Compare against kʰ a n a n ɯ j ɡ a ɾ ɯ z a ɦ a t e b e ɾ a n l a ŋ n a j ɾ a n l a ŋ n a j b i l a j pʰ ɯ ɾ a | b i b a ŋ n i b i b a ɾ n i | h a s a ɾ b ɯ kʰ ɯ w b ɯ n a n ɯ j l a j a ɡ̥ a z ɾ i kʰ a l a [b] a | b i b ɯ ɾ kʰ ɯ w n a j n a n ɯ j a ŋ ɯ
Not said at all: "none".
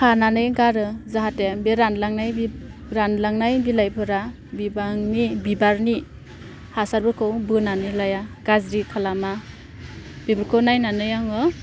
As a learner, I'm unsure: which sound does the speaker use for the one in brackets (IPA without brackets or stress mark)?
m